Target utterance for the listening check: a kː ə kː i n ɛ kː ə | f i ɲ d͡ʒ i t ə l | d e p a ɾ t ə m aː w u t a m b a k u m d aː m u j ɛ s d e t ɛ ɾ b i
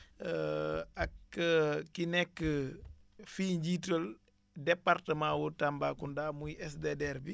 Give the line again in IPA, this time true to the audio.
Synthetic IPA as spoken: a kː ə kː i n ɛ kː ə | f i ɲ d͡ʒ i t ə l | d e p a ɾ t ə m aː w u t a m b a k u n d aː m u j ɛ s d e d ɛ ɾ b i

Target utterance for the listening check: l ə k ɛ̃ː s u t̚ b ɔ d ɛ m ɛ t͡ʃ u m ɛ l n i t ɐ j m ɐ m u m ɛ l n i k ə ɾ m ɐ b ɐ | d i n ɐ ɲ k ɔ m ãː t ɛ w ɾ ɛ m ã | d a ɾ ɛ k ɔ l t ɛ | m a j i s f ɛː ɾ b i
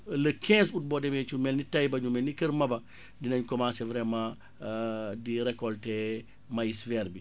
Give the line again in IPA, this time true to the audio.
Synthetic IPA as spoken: l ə k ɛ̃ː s u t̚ b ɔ d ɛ m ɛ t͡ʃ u m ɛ l n i t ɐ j b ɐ ɲ u m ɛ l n i k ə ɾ m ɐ b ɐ | d i n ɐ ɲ k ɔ m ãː s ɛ v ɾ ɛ m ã | d i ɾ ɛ k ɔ l t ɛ | m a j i s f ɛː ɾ b i

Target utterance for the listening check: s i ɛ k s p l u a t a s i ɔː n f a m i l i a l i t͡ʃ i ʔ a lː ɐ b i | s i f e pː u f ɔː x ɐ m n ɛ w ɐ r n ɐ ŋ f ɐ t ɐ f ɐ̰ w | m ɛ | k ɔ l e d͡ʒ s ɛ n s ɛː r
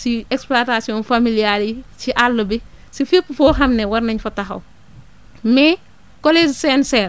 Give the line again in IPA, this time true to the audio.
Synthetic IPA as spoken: s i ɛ k s p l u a t a s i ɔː n f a m i l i a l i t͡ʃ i ʔ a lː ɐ b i | s i f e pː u f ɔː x ɐ m n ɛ w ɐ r n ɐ ɲ f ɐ t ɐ x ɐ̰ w | m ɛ | k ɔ l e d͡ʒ s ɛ n s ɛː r

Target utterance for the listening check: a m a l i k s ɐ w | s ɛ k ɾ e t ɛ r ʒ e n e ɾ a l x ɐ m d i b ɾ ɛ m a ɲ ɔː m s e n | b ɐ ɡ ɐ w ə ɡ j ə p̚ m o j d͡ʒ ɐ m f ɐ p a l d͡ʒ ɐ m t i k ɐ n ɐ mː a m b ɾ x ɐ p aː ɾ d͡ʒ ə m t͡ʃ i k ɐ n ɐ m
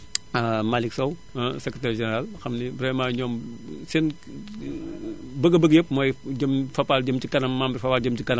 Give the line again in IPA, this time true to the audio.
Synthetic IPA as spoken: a m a l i k s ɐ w | s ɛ k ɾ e t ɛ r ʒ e n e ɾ a l x ɐ m n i b ɾ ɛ m a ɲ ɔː m s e n | b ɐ ɡ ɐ b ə ɡ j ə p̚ m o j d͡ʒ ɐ m f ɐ p a l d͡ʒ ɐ m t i k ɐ n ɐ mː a m b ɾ f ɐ p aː l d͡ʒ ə m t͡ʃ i k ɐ n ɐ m

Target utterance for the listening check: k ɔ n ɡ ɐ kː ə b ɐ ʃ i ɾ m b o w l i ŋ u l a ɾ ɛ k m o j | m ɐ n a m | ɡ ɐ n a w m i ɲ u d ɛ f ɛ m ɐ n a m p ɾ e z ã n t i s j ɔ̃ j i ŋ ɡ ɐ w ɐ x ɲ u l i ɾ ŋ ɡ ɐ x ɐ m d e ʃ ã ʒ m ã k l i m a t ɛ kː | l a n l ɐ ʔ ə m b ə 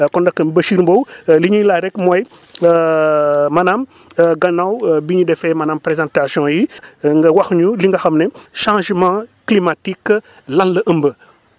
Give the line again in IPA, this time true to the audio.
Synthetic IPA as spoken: k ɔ n d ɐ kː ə b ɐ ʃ i ɾ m b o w l i ɲ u l a ɾ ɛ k m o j | m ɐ n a m | ɡ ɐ n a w b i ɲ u d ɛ f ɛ m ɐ n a m p ɾ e z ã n t a s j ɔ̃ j i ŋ ɡ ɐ w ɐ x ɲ u l i ŋ ɡ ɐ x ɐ m n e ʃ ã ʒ m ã k l i m a t i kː | l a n l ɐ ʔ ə m b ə

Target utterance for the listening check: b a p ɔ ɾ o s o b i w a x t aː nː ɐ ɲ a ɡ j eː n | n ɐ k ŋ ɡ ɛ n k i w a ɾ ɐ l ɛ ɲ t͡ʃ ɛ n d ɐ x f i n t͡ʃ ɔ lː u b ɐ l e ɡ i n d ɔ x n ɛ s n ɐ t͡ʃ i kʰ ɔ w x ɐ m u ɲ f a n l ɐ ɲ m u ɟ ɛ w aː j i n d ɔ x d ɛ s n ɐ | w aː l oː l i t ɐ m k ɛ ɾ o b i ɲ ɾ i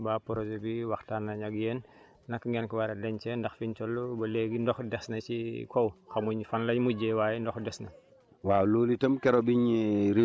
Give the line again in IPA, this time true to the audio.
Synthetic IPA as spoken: b a p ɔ ɾ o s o b i w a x t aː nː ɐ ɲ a ɡ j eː n | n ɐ k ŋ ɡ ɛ n k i w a ɾ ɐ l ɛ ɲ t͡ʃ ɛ n d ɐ x f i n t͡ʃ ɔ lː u b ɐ l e ɡ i n d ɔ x d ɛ s n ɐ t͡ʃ i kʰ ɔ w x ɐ m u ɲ f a n l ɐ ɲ m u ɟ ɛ w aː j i n d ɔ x d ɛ s n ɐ | w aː l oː l i t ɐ m k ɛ ɾ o b i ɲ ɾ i

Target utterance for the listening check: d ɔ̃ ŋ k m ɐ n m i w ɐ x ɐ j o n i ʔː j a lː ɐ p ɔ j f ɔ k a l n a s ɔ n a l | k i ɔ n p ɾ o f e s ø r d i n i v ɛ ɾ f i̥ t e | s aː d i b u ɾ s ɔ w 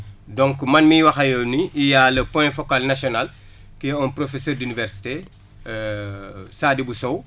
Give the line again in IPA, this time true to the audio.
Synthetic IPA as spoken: d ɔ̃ ŋ k m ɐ n m i w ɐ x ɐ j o n i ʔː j a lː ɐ p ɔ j f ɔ k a l n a s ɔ n a l | k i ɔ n p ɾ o f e s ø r d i n i v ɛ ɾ s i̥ t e | s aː d i b u s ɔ w

